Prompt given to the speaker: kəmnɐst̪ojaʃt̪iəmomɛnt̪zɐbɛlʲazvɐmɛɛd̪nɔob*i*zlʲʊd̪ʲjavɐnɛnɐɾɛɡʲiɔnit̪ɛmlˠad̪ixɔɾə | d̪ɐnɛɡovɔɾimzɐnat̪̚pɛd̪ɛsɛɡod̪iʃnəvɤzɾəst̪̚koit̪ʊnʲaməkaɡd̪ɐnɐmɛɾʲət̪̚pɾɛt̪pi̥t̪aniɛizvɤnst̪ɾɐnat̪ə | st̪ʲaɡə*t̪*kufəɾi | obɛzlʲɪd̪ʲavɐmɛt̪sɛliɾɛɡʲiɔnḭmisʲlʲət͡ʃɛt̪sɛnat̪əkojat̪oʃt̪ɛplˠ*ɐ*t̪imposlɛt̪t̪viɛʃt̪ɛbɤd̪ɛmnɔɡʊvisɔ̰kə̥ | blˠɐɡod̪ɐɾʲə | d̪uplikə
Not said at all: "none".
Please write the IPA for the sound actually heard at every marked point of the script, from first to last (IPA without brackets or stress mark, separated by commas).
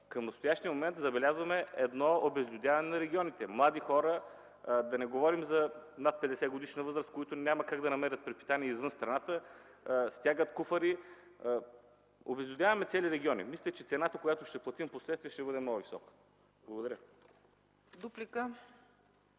ɛ, t̪, ɐ